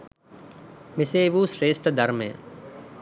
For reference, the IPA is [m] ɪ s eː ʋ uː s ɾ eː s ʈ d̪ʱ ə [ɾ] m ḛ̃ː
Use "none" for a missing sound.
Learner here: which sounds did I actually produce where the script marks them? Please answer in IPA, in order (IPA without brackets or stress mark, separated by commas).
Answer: m, ɾ